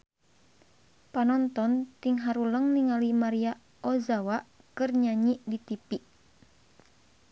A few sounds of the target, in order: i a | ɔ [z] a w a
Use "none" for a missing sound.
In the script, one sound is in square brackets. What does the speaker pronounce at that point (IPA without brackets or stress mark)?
z